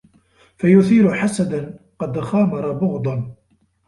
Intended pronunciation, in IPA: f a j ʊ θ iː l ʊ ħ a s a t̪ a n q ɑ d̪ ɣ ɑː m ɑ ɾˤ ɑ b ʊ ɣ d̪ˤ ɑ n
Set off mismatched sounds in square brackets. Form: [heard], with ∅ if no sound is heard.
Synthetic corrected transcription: f a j ʊ θ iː [ɾ] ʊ ħ a s a [d̪] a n q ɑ d̪ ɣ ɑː m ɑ ɾˤ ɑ b ʊ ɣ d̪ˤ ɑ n